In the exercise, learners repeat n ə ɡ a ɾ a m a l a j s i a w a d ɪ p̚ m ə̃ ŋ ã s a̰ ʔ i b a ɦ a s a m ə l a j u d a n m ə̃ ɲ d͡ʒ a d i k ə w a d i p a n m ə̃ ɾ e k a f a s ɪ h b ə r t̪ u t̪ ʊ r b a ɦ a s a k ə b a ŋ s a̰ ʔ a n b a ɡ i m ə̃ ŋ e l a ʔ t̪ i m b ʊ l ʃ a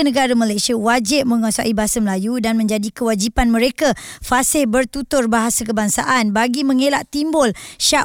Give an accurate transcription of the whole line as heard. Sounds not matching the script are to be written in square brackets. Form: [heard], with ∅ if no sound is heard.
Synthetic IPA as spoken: n ə ɡ a ɾ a m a l a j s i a w a [d͡ʒ] ɪ p̚ m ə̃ ŋ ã s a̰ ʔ i b a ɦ a s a m ə l a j u d a n m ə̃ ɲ d͡ʒ a d i k ə w a [d͡ʒ] i p a n m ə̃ ɾ e k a f a s ɪ h b ə r t̪ u t̪ ʊ r b a ɦ a s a k ə b a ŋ s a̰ ʔ a n b a ɡ i m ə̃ ŋ e l a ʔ t̪ i m b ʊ l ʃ a